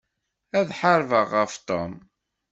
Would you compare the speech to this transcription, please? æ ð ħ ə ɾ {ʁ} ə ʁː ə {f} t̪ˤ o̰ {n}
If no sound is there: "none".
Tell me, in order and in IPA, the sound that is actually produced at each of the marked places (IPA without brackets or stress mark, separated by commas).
v, f, m